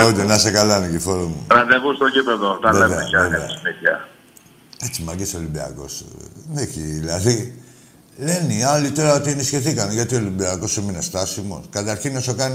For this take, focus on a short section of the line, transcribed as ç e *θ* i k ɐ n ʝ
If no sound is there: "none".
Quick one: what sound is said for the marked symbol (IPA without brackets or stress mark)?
θ